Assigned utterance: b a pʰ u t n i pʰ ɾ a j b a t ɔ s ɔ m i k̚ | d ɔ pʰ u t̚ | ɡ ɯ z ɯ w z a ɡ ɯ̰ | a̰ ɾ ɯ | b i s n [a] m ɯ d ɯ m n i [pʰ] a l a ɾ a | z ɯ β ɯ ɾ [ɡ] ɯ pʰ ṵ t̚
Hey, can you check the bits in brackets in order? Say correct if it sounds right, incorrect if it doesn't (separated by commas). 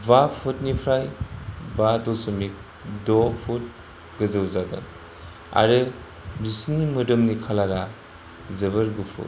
incorrect, incorrect, correct